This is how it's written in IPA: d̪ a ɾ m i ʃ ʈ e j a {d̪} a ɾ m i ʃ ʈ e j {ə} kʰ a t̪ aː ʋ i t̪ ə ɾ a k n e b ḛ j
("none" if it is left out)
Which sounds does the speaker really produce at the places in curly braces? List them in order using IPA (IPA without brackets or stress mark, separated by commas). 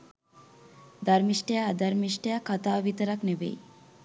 d̪, a